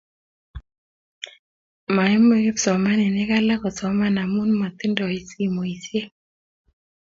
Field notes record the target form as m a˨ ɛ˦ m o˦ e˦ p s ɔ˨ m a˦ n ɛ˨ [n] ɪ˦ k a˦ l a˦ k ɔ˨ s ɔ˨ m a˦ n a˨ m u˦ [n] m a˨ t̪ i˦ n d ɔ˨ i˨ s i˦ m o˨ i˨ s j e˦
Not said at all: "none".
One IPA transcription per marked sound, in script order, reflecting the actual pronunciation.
n, n

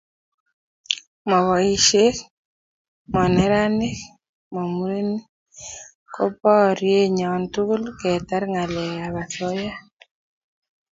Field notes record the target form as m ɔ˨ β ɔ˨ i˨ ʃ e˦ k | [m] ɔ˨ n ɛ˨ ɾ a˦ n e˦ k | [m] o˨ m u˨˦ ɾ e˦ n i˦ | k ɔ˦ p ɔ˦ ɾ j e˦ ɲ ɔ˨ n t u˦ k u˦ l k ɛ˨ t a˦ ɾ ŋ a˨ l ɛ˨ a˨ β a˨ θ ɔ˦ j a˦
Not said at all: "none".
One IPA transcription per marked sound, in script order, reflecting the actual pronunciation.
m, m

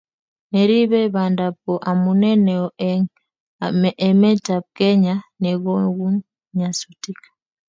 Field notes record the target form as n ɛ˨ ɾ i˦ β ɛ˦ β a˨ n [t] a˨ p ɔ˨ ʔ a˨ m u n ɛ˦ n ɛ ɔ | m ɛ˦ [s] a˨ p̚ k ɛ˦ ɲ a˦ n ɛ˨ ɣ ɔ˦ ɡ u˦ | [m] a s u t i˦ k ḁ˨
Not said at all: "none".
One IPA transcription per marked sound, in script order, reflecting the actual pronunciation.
d, t, ɲ

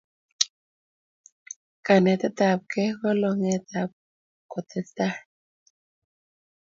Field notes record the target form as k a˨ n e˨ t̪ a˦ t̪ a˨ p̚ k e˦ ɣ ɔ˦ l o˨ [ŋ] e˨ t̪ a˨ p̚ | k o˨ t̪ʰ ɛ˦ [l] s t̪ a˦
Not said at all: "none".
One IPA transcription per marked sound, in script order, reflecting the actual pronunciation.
ŋ, none

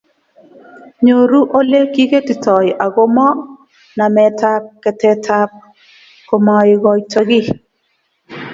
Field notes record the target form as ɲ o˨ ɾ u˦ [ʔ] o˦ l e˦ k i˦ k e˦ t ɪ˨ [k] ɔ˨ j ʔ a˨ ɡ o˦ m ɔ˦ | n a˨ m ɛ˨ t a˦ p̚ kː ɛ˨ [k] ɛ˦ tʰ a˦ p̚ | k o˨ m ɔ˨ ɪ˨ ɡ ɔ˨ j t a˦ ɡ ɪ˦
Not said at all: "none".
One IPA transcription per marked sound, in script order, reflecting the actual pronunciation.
ʔ, t, t

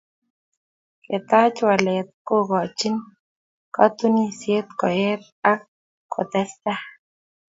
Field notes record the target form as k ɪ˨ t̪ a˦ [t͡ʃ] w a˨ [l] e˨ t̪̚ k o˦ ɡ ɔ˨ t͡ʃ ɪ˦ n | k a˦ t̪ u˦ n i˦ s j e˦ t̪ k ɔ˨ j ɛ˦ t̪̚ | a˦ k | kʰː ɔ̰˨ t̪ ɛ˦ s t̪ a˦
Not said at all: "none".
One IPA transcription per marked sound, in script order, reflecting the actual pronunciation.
t͡ʃ, l

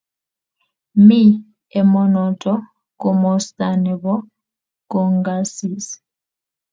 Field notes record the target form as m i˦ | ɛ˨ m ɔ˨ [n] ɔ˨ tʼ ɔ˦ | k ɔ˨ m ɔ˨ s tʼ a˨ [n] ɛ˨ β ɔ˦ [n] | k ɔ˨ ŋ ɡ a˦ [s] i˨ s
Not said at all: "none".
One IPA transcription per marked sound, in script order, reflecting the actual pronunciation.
n, n, none, s

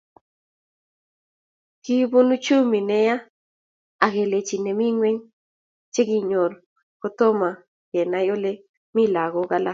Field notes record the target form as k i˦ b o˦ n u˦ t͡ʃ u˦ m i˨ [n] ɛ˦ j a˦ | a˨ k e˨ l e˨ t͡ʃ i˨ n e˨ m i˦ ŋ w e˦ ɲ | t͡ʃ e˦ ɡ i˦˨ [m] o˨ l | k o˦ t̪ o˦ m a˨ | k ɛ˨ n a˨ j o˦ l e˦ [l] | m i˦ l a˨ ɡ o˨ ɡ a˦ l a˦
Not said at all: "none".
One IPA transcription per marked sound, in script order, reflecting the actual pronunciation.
n, ɲ, none

